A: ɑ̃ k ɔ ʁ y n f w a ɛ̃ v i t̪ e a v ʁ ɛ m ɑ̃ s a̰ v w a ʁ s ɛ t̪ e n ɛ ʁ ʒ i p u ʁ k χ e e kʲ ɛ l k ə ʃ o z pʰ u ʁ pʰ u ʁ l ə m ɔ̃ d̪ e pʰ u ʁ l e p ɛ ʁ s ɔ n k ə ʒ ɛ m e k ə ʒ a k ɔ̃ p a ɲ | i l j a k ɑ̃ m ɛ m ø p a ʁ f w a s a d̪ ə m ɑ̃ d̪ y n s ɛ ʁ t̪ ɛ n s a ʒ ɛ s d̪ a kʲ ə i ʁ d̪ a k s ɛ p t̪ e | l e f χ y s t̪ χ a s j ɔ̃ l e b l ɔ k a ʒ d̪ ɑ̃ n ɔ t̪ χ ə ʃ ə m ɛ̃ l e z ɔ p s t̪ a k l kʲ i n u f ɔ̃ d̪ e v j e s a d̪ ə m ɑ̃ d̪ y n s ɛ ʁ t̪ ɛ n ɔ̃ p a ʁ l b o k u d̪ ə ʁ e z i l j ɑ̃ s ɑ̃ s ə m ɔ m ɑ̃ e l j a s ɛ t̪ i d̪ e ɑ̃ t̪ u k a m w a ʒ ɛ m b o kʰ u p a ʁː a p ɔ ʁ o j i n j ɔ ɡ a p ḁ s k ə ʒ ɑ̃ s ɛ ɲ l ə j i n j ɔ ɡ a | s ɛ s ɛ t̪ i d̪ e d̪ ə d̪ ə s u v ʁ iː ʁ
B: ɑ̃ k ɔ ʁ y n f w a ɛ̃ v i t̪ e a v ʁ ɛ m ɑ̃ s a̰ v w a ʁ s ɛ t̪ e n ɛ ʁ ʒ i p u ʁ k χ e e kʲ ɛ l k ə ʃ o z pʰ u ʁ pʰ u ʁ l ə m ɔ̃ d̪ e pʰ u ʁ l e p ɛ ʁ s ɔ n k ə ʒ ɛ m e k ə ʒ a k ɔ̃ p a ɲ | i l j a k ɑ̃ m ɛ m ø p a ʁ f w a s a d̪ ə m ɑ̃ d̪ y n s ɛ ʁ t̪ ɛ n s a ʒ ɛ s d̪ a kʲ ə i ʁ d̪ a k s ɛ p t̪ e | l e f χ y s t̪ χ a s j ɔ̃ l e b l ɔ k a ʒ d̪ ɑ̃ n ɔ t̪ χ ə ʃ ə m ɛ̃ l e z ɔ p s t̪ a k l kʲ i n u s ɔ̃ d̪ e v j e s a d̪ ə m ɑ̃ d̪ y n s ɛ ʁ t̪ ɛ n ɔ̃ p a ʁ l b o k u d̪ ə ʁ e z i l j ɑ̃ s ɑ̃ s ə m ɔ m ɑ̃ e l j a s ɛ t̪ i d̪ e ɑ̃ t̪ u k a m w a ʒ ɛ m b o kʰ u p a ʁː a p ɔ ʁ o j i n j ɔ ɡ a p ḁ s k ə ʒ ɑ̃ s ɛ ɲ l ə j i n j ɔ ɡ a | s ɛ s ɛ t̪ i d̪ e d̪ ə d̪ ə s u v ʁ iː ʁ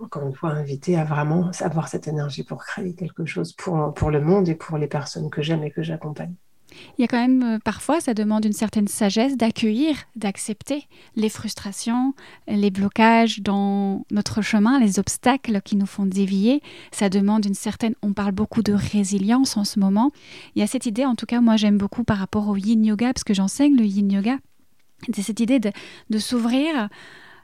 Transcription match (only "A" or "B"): A